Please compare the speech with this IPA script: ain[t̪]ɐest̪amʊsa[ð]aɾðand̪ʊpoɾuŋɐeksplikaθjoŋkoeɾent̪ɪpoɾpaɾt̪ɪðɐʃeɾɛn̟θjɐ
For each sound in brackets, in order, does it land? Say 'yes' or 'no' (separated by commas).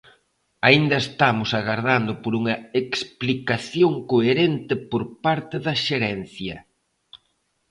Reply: no, no